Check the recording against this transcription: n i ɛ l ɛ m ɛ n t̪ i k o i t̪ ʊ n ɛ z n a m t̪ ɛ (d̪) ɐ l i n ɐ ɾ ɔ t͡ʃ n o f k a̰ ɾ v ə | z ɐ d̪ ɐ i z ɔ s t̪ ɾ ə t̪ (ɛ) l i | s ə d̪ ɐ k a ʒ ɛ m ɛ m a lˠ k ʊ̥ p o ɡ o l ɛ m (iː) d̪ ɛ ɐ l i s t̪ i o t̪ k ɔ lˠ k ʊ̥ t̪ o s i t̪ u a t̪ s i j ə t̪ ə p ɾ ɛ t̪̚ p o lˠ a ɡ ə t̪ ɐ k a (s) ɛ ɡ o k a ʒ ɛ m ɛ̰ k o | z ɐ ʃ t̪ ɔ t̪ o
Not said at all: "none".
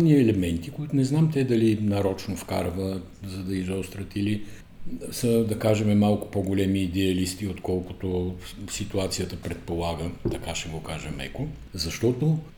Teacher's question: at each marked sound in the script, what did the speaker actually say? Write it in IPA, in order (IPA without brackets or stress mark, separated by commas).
d̪, i, iː, ʃ